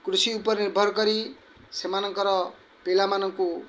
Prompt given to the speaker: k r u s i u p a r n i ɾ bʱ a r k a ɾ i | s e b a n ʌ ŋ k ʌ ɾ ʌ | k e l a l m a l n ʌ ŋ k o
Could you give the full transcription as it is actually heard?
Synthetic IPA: k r u s i u p ʌ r n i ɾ bʱ ʌ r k ʌ ɾ i | s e m a n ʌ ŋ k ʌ ɾ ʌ | p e l a m a n ʌ ŋ k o